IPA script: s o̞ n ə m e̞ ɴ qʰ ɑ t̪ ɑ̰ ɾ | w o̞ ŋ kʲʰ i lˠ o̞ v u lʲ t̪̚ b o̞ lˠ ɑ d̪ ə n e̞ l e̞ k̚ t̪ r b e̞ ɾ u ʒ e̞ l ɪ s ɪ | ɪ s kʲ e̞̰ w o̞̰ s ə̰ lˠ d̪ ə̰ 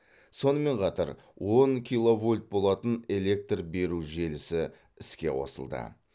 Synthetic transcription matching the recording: s o̞ n ə m e̞ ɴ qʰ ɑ t̪ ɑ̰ ɾ | w o̞ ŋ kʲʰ i lˠ o̞ v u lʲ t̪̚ b o̞ lˠ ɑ t̪ ə n e̞ l e̞ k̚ t̪ r b e̞ ɾ u ʒ e̞ l ɪ s ɪ | ɪ s kʲ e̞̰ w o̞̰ s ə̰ lˠ d̪ ə̰